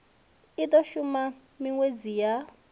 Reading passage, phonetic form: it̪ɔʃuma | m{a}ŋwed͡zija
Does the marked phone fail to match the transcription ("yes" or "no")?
yes